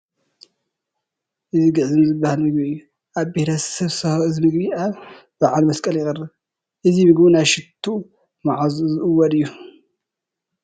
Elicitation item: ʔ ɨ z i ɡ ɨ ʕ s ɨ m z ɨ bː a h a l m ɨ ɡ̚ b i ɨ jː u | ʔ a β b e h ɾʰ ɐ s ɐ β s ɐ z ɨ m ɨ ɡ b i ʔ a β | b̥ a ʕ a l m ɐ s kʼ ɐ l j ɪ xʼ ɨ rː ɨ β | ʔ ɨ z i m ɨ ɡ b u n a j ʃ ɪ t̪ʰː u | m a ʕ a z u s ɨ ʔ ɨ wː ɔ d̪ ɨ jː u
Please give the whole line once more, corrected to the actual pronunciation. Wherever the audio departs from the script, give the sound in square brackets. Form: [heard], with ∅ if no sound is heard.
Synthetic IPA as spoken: ʔ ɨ z i ɡ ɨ ʕ [z] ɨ m z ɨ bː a h a l m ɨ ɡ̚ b i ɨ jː u | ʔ a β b e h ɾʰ ɐ s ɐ β s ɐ z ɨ m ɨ ɡ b i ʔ a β | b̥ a ʕ a l m ɐ s kʼ ɐ l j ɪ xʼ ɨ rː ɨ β | ʔ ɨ z i m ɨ ɡ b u n a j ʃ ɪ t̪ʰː u | m a ʕ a z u [z] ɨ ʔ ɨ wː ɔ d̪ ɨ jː u